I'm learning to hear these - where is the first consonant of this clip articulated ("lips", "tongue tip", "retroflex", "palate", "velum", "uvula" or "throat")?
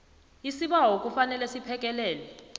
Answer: tongue tip